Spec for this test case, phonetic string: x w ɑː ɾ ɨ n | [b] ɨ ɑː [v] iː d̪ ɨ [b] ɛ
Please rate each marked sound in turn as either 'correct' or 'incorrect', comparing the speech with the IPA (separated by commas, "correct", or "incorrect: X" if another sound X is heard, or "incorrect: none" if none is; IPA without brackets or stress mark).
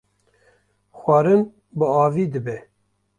correct, correct, correct